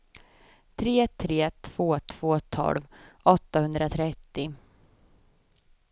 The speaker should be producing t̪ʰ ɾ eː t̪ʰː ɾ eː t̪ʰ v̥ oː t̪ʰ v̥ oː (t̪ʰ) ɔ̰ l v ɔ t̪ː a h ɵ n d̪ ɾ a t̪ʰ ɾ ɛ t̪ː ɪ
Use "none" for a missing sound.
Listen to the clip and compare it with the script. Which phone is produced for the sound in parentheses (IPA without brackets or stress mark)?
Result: t̪ʰ